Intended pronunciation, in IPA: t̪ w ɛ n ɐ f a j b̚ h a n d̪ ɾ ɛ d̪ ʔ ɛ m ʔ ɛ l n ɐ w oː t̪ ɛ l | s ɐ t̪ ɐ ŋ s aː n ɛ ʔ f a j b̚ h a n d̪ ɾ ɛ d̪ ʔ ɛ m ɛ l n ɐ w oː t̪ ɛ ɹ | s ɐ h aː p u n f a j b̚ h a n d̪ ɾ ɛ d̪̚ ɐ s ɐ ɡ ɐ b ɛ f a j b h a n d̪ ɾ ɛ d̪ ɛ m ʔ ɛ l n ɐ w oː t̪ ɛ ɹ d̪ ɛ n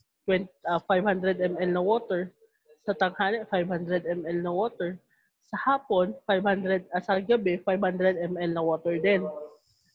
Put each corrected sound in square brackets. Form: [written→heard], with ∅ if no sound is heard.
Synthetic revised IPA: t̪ w ɛ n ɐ f a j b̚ h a n d̪ ɾ ɛ d̪ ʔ ɛ m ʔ ɛ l n ɐ w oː t̪ ɛ [l→ɹ] | s ɐ t̪ ɐ ŋ [s→h] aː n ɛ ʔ f a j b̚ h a n d̪ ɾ ɛ d̪ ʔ ɛ m ɛ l n ɐ w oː t̪ ɛ ɹ | s ɐ h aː p [u→o] n f a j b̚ h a n d̪ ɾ ɛ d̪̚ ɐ s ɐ ɡ ɐ b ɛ f a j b h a n d̪ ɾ ɛ d̪ ɛ m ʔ ɛ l n ɐ w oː t̪ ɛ ɹ d̪ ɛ n

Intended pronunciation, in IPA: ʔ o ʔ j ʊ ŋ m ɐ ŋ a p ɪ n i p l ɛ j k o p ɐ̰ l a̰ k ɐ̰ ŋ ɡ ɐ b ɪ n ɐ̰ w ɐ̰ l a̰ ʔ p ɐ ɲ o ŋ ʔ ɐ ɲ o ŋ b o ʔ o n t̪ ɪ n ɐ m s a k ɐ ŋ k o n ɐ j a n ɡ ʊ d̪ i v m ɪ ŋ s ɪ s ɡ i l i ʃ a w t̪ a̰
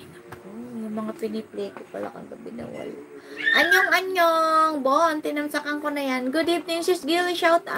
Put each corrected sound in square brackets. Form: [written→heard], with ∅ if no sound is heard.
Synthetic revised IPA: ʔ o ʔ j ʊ ŋ m ɐ ŋ a p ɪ n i p l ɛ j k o p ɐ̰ l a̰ k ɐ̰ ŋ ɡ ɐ b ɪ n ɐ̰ w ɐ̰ l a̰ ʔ [p→ʔ] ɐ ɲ o ŋ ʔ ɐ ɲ o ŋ b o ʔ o n t̪ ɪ n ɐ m s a k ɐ ŋ k o n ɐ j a n ɡ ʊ d̪ i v [m→n] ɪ ŋ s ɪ s ɡ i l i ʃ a w t̪ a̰

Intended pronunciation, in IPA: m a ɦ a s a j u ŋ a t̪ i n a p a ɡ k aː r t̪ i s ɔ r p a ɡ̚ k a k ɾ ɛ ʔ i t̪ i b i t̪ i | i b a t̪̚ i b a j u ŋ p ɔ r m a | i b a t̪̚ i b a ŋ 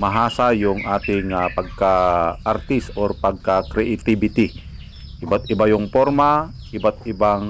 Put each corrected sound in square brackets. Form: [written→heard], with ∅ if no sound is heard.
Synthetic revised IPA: m a ɦ a s a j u ŋ a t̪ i [n→ŋ] a p a ɡ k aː r t̪ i s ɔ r p a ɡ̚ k a k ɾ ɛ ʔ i t̪ i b i t̪ i | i b a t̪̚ i b a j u ŋ p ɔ r m a | i b a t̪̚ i b a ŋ

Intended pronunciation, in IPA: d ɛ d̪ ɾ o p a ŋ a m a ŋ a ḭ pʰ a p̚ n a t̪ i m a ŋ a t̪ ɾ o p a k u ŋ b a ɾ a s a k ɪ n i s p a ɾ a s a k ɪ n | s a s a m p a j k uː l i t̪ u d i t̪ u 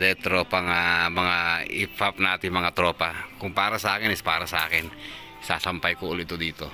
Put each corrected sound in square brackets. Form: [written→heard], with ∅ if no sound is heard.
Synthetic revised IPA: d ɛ [d̪→t̪] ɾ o p a ŋ a m a ŋ a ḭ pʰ a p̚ n a t̪ i m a ŋ a t̪ ɾ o p a k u ŋ [b→p] a ɾ a s a k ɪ n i s p a ɾ a s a k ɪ n | s a s a m p a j k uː l i t̪ u d i t̪ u

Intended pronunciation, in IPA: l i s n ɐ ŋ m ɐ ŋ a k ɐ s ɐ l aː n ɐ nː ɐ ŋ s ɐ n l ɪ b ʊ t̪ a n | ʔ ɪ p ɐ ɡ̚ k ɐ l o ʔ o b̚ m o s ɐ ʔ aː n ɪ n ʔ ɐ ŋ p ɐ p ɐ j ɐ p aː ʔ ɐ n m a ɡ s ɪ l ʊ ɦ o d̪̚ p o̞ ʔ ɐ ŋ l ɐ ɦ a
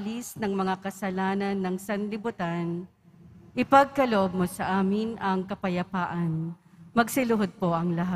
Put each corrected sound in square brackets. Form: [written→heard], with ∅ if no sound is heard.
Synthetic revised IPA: l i s n ɐ ŋ m ɐ ŋ a k ɐ s ɐ l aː n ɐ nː ɐ ŋ s ɐ n l ɪ b ʊ t̪ a n | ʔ ɪ p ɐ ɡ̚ k ɐ l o ʔ o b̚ m o s ɐ ʔ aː [n→m] ɪ n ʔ ɐ ŋ [p→k] ɐ p ɐ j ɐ p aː ʔ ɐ n m [a→ɐ] ɡ s ɪ l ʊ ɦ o d̪̚ p o̞ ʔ ɐ ŋ l ɐ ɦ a

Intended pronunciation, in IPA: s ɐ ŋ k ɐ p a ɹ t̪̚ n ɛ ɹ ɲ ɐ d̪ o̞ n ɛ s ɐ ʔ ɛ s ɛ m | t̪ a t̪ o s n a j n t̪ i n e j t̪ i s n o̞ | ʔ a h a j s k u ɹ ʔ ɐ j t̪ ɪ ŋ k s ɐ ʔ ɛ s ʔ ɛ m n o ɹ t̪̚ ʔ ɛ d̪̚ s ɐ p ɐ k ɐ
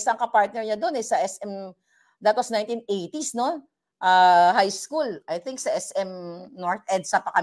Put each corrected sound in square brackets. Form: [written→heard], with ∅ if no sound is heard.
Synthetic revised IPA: s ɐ ŋ k ɐ p a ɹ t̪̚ n ɛ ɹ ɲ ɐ d̪ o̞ n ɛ s ɐ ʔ ɛ s ɛ m | [t̪→d̪] a t̪ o s n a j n t̪ i n e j t̪ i s n o̞ | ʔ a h a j s k u [ɹ→l] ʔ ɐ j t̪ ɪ ŋ k s ɐ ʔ ɛ s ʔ ɛ m n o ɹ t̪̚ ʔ ɛ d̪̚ s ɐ p ɐ k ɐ

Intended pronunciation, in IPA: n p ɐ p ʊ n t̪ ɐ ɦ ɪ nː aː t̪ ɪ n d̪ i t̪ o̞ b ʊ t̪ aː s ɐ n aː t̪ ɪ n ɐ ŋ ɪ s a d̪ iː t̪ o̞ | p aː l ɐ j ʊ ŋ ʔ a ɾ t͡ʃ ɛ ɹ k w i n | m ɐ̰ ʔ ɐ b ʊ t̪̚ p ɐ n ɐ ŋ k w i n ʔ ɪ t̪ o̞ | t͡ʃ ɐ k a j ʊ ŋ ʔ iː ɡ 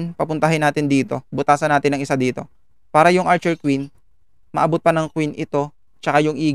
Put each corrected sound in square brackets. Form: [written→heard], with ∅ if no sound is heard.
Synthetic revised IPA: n p ɐ p ʊ n t̪ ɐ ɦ ɪ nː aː t̪ ɪ n d̪ [i→iː] t̪ o̞ b ʊ t̪ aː s ɐ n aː t̪ ɪ n ɐ ŋ ɪ s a d̪ iː t̪ o̞ | p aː [l→ɾ] ɐ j ʊ ŋ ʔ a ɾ t͡ʃ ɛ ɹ k w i n | m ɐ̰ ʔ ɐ b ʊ t̪̚ p ɐ n ɐ ŋ k w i n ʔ ɪ t̪ o̞ | t͡ʃ ɐ k a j ʊ ŋ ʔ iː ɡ

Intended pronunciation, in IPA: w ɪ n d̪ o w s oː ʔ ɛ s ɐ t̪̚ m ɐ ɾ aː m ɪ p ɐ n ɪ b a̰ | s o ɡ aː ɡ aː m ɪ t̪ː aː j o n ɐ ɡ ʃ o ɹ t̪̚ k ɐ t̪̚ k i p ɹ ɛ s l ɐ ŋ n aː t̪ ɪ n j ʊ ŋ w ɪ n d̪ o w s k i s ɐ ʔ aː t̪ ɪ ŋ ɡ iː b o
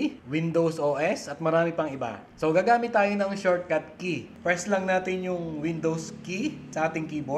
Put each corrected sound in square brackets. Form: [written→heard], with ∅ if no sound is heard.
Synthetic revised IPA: w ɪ n d̪ o w s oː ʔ ɛ s ɐ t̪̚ m ɐ ɾ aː m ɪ p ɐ [n→ŋ] ɪ b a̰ | s o ɡ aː ɡ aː m ɪ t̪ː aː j o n ɐ [ɡ→ŋ] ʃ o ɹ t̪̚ k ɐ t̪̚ k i p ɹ ɛ s l ɐ ŋ n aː t̪ ɪ n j ʊ ŋ w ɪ n d̪ o w s k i s ɐ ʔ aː t̪ ɪ ŋ [ɡ→k] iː b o

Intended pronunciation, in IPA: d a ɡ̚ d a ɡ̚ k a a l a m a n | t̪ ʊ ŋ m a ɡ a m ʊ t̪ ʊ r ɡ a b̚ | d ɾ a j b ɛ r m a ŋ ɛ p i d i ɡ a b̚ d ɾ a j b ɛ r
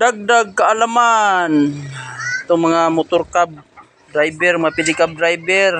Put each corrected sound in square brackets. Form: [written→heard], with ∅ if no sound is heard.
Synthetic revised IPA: d a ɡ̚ d a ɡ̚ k a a l a m a n | t̪ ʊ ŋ m a [ɡ→ŋ] a m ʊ t̪ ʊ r [ɡ→k] a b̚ | d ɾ a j b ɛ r m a ŋ [ɛ→a] p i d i [ɡ→k] a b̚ d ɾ a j b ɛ r

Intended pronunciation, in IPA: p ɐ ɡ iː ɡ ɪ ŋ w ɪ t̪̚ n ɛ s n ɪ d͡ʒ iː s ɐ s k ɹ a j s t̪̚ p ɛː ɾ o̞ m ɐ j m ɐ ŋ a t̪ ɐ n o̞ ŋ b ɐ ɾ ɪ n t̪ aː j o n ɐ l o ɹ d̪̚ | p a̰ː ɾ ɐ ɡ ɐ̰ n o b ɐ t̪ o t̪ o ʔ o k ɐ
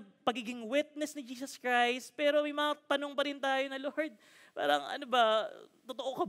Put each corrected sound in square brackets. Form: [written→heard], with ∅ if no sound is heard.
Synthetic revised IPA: p ɐ ɡ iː ɡ ɪ ŋ w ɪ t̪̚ n ɛ s n ɪ d͡ʒ iː s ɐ s k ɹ a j s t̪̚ p ɛː ɾ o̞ m ɐ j m ɐ ŋ a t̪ ɐ n o̞ ŋ [b→p] ɐ ɾ ɪ n t̪ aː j o n ɐ l o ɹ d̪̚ | p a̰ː ɾ ɐ [ɡ→ŋ] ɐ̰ n o b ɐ t̪ o t̪ o ʔ o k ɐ

